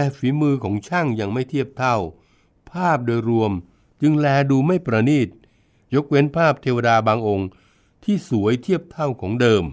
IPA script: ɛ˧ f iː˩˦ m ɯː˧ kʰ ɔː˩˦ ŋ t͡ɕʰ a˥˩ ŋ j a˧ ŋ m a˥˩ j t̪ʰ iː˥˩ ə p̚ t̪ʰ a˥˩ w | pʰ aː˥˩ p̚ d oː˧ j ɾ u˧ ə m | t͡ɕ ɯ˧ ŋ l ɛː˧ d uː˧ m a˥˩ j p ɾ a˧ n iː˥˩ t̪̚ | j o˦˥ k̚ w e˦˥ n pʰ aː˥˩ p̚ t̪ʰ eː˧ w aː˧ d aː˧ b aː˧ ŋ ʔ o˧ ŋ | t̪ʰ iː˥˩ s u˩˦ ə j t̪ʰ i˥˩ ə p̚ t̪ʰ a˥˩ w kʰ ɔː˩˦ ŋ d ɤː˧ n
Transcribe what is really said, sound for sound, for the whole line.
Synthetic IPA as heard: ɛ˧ f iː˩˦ m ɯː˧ kʰ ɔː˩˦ ŋ t͡ɕʰ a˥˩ ŋ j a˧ ŋ m a˥˩ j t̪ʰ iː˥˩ ə p̚ t̪ʰ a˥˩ w | pʰ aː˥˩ p̚ d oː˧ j ɾ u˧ ə m | t͡ɕ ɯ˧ ŋ l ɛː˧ d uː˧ m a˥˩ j p ɾ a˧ n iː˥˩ t̪̚ | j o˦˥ k̚ w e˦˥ n pʰ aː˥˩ p̚ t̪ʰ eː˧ w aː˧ d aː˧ b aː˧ ŋ ʔ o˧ ŋ | t̪ʰ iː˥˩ s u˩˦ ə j t̪ʰ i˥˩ ə p̚ t̪ʰ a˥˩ w kʰ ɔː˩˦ ŋ d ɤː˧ m